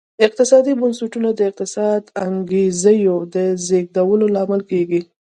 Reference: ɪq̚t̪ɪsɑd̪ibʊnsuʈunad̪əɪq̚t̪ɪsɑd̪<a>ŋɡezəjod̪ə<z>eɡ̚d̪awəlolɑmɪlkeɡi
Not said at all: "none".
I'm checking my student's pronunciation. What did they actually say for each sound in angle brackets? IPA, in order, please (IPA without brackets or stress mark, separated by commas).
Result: a, z